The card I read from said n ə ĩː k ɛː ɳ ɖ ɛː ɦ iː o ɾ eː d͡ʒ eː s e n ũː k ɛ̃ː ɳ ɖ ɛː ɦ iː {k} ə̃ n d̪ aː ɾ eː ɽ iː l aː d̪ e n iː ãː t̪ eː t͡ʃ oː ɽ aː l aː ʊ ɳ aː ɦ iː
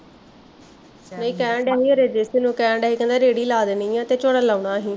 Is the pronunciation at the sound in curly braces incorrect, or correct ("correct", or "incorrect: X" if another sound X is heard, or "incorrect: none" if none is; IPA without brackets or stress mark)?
correct